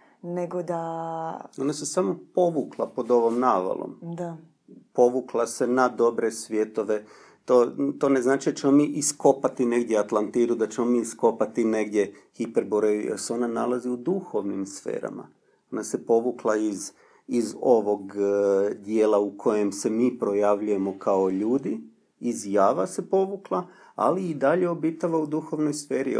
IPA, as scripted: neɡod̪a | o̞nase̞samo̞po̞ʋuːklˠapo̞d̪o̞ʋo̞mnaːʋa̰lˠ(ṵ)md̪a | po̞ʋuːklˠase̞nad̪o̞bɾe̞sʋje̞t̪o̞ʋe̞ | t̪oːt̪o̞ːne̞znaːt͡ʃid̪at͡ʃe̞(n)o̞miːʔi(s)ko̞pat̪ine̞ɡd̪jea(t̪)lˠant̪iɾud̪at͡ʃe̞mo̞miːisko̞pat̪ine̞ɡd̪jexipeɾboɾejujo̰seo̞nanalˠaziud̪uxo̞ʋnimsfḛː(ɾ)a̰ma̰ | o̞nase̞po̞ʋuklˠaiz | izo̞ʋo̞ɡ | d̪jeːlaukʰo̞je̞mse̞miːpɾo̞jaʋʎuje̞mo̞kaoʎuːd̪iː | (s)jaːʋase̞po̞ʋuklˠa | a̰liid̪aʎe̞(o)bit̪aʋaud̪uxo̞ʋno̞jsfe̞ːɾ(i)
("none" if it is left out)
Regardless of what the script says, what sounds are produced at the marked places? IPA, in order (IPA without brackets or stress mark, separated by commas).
o̰, m, s, t̪, ɾ, z, o, i